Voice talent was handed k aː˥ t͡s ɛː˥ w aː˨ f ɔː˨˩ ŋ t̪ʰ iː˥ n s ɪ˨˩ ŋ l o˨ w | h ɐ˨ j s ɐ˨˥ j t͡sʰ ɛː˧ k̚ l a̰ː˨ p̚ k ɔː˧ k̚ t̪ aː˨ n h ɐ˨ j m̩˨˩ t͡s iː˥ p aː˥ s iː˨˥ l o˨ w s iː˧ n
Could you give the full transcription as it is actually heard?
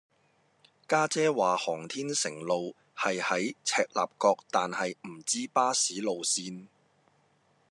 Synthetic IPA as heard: k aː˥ t͡s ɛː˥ w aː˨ h ɔː˨˩ ŋ t̪ʰ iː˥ n s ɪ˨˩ ŋ l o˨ w | h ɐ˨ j h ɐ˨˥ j t͡sʰ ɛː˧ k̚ l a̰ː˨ p̚ k ɔː˧ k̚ t̪ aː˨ n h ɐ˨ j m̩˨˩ t͡s iː˥ p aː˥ s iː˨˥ l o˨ w s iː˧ n